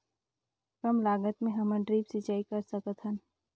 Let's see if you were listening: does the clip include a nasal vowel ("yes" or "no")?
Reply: yes